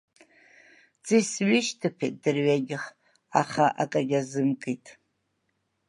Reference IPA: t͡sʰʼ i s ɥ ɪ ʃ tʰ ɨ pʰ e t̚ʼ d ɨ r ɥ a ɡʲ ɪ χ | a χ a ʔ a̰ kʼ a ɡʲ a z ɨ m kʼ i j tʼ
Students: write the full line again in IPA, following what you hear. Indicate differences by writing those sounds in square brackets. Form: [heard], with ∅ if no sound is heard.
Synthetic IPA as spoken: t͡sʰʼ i s ɥ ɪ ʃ tʰ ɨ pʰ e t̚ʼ d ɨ r ɥ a ɡʲ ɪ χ | a χ a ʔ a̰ kʼ a ɡʲ a z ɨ m kʼ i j tʼ